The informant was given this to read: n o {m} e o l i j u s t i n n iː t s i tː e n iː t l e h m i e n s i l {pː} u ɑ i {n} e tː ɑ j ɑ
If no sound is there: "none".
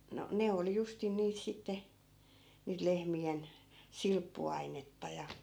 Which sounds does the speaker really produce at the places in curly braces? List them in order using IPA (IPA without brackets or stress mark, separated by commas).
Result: n, pː, n